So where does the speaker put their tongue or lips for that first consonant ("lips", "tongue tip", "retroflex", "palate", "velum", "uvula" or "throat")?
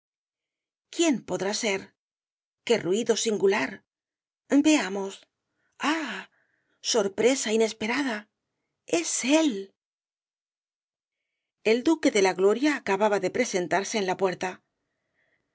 velum